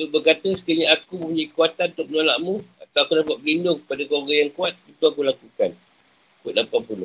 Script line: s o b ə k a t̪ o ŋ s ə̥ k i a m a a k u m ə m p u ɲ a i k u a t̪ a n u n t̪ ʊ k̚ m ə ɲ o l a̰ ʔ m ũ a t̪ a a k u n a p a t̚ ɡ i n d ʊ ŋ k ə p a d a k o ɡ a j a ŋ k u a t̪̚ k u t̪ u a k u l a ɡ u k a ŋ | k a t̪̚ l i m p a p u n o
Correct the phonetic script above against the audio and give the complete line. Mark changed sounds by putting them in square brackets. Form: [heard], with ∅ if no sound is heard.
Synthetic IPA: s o b ə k a t̪ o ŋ s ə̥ k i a [ɲ] a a k u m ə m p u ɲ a i k u a t̪ a n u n t̪ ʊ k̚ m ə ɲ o l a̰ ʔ m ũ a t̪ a a k u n a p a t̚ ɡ i n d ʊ ŋ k ə p a d a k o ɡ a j a ŋ k u a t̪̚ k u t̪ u a k u l a [k] u k a [n] | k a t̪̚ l [a] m p a p u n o